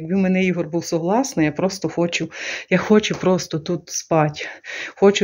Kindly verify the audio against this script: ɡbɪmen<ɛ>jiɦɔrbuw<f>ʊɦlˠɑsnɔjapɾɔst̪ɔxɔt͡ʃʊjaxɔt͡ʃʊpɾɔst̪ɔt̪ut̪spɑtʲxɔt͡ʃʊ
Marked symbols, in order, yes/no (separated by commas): yes, no